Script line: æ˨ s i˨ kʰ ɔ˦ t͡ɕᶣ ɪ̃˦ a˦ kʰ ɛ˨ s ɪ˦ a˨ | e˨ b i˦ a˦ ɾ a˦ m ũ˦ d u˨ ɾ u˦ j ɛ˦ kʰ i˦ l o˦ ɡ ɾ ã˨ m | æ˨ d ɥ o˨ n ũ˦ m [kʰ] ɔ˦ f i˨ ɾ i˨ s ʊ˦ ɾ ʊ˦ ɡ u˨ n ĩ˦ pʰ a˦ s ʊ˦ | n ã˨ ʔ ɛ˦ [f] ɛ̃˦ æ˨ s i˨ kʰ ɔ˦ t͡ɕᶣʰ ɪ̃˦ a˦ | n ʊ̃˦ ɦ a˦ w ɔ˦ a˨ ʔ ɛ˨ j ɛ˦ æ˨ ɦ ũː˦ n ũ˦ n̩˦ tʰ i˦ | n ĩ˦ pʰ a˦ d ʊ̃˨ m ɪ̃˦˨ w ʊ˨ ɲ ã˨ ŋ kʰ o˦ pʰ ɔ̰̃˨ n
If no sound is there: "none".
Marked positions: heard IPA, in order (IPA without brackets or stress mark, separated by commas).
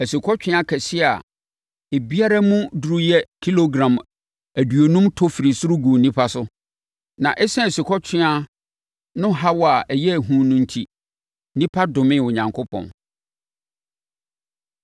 tʰ, s